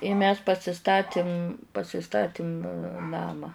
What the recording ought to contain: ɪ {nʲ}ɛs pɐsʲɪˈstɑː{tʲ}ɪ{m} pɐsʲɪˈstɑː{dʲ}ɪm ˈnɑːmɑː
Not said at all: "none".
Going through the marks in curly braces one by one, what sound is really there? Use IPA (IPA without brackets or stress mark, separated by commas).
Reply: mʲ, tʲ, m, tʲ